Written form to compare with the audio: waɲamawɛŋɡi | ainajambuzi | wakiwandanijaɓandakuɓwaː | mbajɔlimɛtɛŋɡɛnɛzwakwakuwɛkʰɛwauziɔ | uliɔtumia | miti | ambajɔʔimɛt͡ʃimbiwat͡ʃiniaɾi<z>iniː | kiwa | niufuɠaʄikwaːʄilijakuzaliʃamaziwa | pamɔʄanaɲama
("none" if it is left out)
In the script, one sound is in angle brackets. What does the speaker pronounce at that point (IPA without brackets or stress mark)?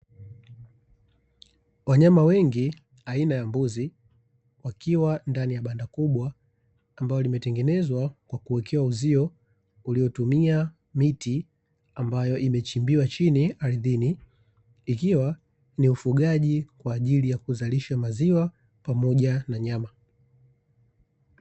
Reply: ð